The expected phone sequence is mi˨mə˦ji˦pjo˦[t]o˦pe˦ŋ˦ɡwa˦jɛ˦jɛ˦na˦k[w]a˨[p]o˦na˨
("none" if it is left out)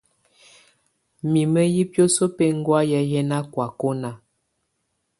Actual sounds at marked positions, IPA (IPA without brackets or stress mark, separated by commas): s, w, k